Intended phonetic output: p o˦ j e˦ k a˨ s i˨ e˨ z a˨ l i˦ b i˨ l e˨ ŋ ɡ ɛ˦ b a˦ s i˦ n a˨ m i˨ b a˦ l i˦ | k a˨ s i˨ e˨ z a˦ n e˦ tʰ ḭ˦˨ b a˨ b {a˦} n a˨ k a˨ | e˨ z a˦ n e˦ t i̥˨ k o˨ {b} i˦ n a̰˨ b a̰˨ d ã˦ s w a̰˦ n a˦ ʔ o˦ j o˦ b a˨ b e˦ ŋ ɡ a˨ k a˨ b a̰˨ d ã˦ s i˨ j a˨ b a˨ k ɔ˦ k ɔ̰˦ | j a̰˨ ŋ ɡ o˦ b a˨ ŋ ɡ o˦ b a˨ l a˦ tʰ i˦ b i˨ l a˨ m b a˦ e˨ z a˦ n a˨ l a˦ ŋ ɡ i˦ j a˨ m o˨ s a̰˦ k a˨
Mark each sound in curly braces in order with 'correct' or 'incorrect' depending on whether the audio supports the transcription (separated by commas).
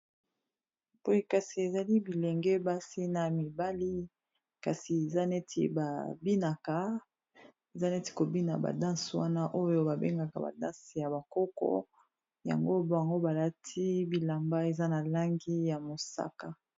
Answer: incorrect, correct